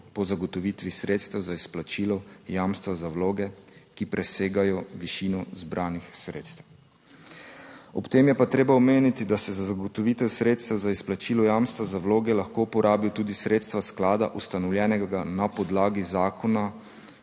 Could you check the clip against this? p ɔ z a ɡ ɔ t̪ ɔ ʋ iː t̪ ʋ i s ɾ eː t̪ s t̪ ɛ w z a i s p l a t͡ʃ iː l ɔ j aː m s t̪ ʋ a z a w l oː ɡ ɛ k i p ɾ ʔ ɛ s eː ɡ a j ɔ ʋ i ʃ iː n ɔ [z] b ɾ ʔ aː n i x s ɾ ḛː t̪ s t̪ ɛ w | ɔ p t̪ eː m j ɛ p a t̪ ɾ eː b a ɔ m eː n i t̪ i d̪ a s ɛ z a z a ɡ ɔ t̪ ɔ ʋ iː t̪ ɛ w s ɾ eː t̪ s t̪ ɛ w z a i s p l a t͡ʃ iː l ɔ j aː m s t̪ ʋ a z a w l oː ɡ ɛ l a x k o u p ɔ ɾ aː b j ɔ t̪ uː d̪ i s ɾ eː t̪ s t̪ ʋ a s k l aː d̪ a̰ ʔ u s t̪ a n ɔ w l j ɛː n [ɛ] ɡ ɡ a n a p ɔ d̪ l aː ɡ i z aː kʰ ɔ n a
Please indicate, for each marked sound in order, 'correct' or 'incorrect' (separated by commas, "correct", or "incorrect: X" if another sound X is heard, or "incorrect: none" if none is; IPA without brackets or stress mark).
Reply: correct, correct